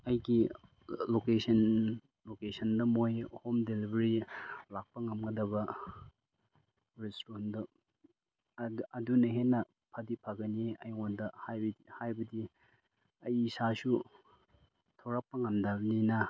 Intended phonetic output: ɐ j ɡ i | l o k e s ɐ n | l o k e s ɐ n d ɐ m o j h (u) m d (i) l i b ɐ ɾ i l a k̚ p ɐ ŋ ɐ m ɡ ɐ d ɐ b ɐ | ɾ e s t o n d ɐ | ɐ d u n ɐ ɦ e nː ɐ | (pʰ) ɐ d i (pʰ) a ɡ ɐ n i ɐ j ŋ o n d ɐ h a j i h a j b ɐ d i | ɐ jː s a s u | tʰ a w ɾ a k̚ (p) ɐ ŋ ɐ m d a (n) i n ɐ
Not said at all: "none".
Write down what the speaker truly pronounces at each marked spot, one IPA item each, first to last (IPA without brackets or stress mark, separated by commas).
o, e, pʰ, pʰ, p, n